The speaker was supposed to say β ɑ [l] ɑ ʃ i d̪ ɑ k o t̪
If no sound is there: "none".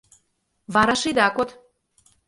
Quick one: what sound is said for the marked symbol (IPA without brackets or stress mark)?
ɾ